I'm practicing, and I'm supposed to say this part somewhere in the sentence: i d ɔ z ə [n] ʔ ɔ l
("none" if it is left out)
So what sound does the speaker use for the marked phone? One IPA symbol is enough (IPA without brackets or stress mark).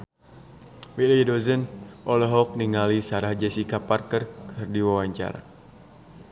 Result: n